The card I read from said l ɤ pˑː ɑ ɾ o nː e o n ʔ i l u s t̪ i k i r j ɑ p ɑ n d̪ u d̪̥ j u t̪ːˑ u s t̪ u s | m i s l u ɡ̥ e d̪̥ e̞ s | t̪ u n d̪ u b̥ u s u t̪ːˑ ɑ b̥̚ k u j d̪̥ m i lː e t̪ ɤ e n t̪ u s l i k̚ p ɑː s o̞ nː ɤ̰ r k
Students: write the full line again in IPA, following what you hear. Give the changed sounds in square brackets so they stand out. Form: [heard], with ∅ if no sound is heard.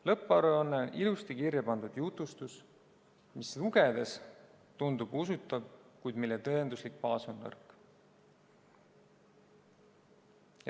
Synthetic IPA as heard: l ɤ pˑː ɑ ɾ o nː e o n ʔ i l u s t̪ i k i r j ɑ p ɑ n d̪ u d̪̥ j u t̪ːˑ u s t̪ u s | m i s l u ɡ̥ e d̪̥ e̞ s | t̪ u n d̪ u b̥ u s u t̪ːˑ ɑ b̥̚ k u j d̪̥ m i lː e t̪ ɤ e n [d̪] u s l i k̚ p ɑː s o̞ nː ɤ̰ r k